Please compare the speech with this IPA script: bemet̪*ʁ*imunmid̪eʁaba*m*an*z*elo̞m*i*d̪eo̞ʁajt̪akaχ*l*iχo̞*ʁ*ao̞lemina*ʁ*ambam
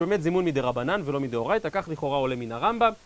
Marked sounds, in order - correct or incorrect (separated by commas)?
incorrect, incorrect, incorrect, correct, correct, correct, correct